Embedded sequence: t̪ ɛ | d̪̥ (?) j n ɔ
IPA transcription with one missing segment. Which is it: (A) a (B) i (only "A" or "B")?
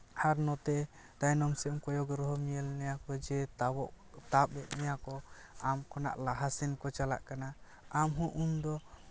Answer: A